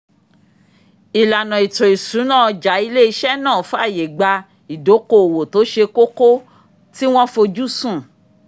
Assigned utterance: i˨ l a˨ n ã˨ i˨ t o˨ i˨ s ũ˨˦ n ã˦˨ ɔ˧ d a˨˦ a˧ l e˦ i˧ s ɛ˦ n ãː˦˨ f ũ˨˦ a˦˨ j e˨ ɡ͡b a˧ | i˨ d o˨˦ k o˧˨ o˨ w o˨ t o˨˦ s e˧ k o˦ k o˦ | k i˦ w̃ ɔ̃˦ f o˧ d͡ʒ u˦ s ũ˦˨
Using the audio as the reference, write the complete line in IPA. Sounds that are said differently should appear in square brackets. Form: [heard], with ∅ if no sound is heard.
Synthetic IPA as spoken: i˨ l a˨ n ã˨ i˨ t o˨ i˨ s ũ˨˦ n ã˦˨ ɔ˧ [d͡ʒ] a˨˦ [i˧] l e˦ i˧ [ʃ] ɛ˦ n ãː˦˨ f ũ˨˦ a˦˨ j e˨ ɡ͡b a˧ | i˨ d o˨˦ k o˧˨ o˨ w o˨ t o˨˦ [ʃ] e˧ k o˦ k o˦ | [t] i˦ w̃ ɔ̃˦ f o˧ d͡ʒ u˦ s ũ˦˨